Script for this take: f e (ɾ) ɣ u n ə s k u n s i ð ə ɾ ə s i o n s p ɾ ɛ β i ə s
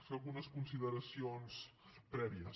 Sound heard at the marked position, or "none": none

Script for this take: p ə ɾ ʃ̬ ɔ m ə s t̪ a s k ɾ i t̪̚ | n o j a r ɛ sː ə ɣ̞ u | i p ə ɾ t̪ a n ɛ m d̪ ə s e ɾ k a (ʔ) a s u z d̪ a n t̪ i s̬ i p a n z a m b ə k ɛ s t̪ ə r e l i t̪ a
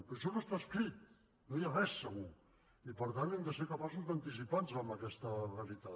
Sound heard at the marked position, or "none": p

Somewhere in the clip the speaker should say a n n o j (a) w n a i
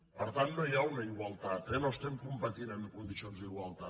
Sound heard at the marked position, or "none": a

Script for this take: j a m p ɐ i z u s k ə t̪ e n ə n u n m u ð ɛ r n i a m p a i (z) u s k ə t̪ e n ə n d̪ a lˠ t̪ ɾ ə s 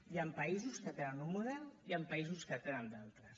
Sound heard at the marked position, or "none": z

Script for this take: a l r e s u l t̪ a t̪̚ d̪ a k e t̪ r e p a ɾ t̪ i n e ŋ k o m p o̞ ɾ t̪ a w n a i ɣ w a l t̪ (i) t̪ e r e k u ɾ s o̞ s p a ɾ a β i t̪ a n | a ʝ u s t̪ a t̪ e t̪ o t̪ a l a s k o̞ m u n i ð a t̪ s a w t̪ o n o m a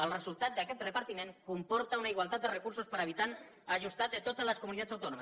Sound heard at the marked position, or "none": a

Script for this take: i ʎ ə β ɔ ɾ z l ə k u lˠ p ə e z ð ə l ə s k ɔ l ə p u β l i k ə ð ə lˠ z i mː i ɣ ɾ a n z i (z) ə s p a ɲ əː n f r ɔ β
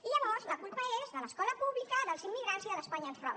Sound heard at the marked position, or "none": ð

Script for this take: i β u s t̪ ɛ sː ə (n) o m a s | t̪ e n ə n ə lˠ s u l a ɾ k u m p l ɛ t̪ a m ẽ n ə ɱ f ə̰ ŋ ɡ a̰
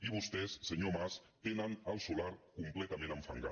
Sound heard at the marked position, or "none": ɲ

